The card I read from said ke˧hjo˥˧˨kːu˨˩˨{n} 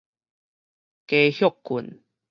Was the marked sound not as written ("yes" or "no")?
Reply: no